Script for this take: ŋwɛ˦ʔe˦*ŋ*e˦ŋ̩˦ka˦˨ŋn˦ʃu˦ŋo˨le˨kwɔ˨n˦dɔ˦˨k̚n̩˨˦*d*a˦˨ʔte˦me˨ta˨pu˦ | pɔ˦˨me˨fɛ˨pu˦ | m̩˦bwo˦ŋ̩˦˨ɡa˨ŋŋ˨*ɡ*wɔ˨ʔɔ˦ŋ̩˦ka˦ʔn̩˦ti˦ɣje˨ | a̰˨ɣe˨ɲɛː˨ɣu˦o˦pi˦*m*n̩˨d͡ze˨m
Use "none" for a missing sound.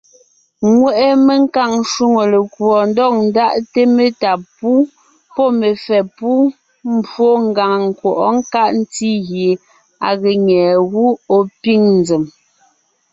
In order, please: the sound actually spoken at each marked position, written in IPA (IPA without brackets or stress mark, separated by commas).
m, d, k, ŋ